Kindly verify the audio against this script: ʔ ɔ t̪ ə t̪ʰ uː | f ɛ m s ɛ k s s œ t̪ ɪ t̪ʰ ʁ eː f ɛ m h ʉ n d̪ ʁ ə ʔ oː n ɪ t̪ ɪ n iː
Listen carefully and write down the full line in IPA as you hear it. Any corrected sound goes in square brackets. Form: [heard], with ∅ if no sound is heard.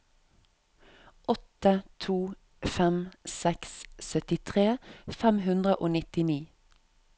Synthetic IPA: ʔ ɔ t̪ ə t̪ʰ uː | f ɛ m s ɛ k s s œ t̪ ɪ t̪ʰ ʁ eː f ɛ m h ʉ n d̪ ʁ ə ʔ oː n ɪ t̪ ɪ n iː